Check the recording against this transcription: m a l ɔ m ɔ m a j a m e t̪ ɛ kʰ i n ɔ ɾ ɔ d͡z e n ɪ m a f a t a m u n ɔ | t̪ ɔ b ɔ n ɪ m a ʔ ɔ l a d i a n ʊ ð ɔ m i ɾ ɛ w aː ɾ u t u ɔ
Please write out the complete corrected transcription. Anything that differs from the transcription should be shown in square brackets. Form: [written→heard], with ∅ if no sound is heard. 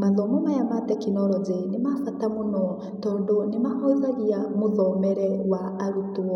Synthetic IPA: m a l ɔ m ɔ m a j a m [e→a] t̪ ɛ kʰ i n ɔ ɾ ɔ d͡z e n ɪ m a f a t a m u n ɔ | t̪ ɔ [b→d] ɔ n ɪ m a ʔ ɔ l a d i a [n→m] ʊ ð ɔ m [i→ɛ] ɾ ɛ w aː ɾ u t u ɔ